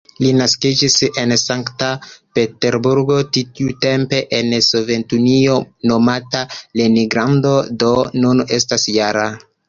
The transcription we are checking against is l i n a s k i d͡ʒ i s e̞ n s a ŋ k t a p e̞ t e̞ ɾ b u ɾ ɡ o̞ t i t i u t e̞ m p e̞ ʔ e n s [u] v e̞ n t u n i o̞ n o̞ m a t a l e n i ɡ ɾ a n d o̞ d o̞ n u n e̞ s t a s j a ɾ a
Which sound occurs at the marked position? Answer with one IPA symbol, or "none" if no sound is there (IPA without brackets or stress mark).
o